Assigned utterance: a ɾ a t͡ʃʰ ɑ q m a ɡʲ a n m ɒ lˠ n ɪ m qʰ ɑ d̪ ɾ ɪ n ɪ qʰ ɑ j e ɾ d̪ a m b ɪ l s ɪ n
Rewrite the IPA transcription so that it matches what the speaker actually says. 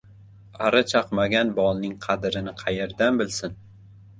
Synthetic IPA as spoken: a ɾ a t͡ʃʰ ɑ q m a ɡʲ a n b ɒ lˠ n ɪ ŋ qʰ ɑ d̪ ɾ ɪ n ɪ qʰ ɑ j e ɾ d̪ a n b ɪ l s ɪ n